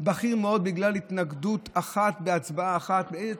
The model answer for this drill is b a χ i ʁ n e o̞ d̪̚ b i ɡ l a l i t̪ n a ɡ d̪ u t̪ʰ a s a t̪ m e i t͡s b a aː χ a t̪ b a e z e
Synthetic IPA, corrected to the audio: b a χ i ʁ m e o̞ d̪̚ b i ɡ l a l i t̪ n a ɡ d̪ u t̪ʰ a χ a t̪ b e a t͡s b a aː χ a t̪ b e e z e